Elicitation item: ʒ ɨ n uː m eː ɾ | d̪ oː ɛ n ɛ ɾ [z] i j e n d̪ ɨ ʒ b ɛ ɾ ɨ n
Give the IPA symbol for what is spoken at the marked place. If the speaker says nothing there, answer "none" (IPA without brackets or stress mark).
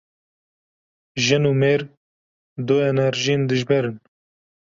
ʒ